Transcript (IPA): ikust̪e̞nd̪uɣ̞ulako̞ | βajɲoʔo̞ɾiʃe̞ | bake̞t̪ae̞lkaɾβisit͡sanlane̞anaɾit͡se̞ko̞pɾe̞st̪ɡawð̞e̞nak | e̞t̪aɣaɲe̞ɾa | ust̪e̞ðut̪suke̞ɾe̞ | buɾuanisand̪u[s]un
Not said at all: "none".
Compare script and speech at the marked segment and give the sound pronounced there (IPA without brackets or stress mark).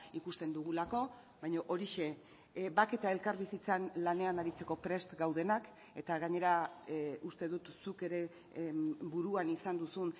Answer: s